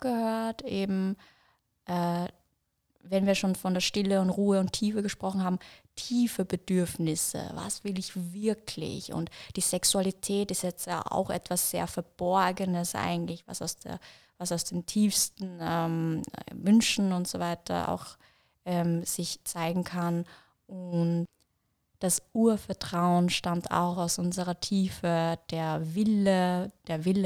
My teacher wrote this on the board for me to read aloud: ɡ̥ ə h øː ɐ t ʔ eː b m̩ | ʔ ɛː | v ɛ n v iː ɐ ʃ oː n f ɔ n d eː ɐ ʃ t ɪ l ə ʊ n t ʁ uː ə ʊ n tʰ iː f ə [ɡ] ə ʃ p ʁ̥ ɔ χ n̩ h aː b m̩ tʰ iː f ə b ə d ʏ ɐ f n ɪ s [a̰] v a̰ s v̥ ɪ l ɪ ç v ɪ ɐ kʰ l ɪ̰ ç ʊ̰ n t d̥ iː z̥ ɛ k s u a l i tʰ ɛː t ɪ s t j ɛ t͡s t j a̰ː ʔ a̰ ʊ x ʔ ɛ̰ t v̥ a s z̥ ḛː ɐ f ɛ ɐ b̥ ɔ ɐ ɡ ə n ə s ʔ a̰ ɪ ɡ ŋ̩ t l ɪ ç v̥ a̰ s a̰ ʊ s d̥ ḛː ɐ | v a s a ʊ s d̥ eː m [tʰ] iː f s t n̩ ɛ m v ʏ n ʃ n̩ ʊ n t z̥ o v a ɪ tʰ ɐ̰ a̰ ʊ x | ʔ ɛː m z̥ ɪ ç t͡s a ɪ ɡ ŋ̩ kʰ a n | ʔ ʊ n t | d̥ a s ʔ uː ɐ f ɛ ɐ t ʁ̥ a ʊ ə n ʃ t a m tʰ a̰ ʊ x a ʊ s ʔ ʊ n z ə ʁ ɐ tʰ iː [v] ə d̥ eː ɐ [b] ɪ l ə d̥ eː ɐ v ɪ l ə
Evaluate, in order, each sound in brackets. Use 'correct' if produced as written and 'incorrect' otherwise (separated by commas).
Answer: correct, incorrect, correct, incorrect, incorrect